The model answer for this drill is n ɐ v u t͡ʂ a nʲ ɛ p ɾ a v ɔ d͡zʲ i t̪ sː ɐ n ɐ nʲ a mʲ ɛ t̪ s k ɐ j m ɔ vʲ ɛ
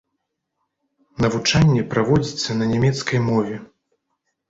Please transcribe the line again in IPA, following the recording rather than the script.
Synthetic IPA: n ɐ v u t͡ʂ a nʲː ɛ p ɾ a v ɔ d͡zʲ i t̪ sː ɐ n ɐ nʲ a mʲ ɛ t̪ s k ɐ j m ɔ vʲ ɛ